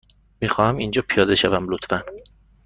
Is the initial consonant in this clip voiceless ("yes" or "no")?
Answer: no